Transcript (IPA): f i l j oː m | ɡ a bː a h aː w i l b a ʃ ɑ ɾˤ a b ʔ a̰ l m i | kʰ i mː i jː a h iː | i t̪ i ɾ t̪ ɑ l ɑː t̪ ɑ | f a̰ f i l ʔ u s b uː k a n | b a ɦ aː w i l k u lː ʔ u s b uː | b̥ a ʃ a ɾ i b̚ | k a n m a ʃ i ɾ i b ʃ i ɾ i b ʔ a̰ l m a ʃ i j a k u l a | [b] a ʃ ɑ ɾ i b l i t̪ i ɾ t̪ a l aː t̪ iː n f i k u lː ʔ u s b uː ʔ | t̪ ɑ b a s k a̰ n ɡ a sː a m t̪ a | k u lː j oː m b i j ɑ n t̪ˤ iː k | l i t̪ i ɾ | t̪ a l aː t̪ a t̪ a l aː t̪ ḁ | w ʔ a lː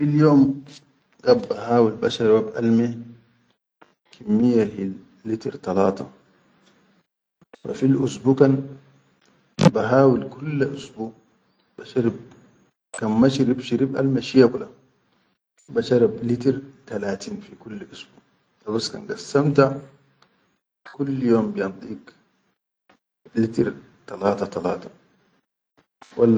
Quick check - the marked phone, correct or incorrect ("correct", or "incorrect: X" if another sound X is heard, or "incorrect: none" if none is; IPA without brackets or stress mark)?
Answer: correct